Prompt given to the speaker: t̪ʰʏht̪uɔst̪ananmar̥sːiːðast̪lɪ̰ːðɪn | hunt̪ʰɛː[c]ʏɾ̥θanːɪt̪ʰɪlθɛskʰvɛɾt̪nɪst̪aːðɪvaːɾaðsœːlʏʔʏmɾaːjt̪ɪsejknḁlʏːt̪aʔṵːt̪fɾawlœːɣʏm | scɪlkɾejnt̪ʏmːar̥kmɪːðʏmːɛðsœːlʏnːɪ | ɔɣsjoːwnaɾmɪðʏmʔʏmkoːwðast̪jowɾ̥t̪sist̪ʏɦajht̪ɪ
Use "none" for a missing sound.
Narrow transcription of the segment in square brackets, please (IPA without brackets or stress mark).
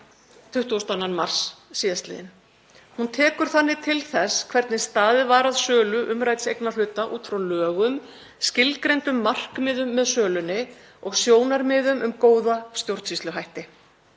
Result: k